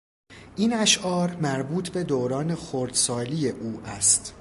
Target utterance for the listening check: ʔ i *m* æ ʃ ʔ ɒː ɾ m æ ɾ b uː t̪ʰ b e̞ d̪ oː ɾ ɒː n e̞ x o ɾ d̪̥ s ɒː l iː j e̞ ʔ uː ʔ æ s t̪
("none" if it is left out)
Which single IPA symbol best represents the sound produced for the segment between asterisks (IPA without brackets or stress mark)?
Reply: n